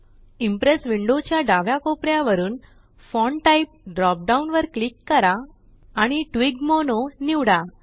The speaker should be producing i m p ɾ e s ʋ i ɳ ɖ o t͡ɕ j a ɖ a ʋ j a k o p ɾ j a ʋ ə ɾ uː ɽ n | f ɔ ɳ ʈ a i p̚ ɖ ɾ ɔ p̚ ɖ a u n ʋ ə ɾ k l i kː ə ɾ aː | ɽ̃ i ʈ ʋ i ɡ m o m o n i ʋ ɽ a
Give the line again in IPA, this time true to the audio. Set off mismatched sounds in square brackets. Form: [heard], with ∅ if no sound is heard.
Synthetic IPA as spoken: i m p ɾ e s ʋ i ɳ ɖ o t͡ɕ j a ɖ a ʋ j a k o p ɾ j a ʋ ə ɾ uː [∅] n | f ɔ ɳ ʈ a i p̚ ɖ ɾ ɔ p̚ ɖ a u n ʋ ə ɾ k l i kː ə ɾ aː | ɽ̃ i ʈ ʋ i ɡ m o [n] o n i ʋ ɽ a

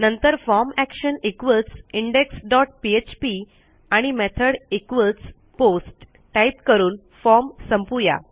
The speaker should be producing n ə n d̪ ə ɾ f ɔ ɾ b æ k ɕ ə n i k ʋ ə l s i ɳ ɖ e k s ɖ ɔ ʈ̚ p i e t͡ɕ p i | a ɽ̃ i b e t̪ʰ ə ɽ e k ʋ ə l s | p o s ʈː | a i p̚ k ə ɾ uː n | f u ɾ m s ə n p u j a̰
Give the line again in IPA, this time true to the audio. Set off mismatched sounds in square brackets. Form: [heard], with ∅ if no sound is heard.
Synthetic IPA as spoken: n ə n [t̪] ə ɾ f ɔ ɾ [m] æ k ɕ ə n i k ʋ ə l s i ɳ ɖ e k s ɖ ɔ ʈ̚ p i e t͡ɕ p i | a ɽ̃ i [m] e t̪ʰ ə ɽ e k ʋ ə l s | p o s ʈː | a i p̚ k ə ɾ uː n | f [ɔ] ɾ m s ə [m] p u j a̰

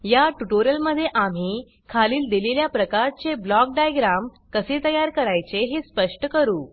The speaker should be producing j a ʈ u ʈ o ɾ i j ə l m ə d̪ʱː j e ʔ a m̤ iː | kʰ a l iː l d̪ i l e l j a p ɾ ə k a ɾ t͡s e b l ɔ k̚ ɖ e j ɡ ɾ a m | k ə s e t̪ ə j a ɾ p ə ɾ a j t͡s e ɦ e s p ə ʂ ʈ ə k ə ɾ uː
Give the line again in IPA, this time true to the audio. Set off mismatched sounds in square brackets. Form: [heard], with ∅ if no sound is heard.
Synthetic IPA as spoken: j a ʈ u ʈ o ɾ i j ə l m ə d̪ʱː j e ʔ a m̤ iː | kʰ a l iː l d̪ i l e l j a p ɾ ə k a ɾ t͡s e b l ɔ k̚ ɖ [a] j ɡ ɾ a m | k ə s e t̪ ə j a ɾ [k] ə ɾ a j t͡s e ɦ e s p ə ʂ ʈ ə k ə ɾ uː

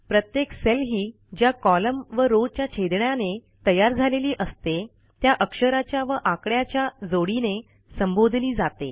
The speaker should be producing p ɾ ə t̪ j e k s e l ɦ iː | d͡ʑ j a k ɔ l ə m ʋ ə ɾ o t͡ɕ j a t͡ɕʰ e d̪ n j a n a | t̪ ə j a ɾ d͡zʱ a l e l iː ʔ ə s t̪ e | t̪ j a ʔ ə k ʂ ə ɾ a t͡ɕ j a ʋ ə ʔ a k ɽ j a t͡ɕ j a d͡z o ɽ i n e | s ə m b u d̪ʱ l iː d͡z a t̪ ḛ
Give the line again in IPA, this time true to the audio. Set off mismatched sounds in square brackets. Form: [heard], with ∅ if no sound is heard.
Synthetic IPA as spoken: p ɾ ə t̪ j e k s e l ɦ iː | d͡ʑ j a k ɔ l ə m ʋ ə ɾ o t͡ɕ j a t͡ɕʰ e d̪ [ɳ] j a n [e] | t̪ ə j a ɾ d͡zʱ a l e l iː ʔ ə s t̪ e | t̪ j a ʔ ə k ʂ ə ɾ a t͡ɕ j a ʋ ə ʔ a k ɽ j a t͡ɕ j a d͡z o ɽ i n e | s ə m b [o] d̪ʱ l iː d͡z a t̪ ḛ

